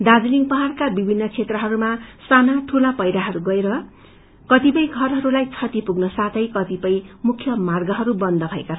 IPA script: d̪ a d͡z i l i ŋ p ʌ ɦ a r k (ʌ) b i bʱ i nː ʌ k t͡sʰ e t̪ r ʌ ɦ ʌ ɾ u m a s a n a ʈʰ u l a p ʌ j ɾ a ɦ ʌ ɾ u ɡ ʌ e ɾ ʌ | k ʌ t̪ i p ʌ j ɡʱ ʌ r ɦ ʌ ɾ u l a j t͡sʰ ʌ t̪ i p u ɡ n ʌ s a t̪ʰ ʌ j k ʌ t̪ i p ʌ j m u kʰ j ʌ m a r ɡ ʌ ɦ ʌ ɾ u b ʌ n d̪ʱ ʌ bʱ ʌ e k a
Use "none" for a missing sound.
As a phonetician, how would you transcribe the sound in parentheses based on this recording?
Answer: a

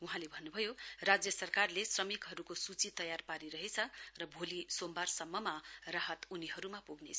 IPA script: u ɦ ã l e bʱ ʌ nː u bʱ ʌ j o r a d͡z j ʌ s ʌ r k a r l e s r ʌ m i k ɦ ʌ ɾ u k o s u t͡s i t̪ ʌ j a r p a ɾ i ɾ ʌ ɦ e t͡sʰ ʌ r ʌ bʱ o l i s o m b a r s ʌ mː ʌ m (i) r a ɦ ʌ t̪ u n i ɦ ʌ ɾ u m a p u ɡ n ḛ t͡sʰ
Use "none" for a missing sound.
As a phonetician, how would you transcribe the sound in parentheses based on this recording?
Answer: a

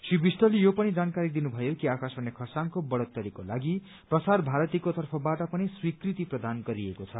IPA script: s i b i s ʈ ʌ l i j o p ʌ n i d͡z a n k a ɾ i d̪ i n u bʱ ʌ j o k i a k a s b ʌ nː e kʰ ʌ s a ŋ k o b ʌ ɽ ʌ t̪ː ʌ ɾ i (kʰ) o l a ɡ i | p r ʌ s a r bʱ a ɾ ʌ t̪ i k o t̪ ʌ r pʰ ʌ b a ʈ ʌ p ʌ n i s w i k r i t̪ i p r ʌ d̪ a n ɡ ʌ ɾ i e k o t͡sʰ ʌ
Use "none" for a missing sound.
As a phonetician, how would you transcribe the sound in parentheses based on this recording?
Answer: k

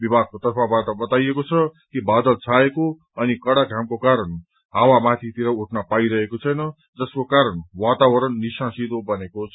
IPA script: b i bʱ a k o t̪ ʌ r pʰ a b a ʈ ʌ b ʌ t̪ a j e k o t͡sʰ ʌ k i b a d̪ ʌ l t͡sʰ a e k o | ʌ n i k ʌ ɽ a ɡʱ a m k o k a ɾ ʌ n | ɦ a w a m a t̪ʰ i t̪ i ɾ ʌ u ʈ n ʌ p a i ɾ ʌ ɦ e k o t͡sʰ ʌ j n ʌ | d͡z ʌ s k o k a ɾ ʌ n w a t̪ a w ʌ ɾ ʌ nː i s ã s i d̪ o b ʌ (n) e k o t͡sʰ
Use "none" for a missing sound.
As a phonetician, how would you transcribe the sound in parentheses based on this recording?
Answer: n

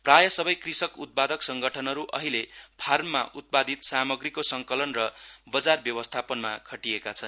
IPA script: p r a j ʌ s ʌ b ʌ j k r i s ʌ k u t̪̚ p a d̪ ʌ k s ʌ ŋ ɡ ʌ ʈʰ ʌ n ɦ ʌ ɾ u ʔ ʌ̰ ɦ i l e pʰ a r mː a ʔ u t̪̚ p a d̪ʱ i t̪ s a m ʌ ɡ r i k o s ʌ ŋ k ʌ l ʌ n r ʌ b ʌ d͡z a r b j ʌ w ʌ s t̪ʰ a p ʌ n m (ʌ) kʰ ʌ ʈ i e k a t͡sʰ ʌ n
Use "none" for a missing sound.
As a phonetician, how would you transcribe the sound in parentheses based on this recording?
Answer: a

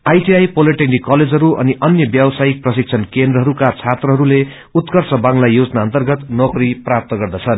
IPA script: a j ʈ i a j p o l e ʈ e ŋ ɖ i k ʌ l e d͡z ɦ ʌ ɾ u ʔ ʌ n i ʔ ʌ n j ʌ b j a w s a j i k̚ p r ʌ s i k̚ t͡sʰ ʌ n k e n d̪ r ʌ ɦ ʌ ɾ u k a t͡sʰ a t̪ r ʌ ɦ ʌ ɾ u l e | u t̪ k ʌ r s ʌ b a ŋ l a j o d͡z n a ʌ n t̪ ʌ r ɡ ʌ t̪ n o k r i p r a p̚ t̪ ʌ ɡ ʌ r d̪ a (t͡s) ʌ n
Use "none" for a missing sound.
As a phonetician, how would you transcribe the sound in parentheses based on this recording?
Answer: t͡sʰ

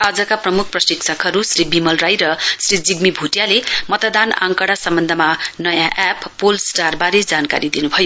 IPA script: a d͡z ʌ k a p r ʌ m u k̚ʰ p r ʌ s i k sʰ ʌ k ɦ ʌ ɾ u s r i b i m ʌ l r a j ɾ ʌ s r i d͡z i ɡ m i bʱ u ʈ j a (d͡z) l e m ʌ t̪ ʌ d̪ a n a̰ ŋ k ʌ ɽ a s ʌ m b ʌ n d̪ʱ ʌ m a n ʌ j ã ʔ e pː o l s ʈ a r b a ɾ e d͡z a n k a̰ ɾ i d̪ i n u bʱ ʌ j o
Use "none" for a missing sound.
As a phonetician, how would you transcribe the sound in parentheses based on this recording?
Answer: none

